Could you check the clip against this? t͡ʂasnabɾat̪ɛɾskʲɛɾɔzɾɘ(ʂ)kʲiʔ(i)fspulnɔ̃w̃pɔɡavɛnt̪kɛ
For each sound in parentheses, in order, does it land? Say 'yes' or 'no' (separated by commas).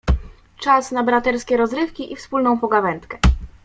no, yes